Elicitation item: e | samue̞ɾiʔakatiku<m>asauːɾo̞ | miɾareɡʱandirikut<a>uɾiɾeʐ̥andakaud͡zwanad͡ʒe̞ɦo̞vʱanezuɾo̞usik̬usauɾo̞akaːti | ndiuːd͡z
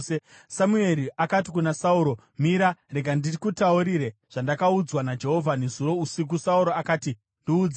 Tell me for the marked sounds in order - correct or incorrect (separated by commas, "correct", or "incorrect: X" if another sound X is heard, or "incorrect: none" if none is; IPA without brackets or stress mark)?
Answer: incorrect: n, correct